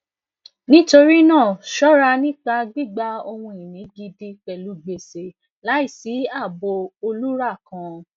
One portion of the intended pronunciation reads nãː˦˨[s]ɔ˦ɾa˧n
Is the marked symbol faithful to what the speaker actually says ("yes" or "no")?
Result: no